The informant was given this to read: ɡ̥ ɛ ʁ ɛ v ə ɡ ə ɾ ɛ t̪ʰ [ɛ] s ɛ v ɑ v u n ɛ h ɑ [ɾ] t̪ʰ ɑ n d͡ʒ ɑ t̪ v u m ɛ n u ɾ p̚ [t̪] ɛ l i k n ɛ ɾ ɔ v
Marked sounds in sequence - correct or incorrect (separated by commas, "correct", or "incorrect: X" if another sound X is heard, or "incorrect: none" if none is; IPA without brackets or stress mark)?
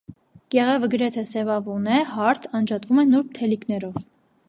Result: correct, correct, incorrect: t̪ʰ